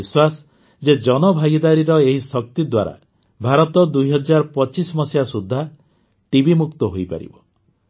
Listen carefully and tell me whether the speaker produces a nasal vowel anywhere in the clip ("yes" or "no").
no